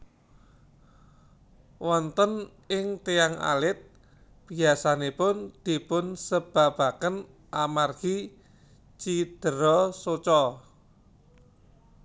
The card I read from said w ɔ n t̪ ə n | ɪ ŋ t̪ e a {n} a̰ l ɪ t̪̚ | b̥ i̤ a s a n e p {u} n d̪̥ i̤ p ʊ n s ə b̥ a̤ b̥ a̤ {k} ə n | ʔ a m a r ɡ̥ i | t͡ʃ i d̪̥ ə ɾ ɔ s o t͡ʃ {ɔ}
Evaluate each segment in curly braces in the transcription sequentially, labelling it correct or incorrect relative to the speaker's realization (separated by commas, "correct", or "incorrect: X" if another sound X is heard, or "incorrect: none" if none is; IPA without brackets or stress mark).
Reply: incorrect: ŋ, incorrect: ʊ, correct, correct